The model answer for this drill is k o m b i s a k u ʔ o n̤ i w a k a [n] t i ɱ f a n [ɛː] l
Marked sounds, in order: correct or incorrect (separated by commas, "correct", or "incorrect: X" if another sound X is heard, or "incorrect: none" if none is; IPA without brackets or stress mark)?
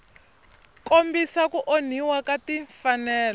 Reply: incorrect: none, correct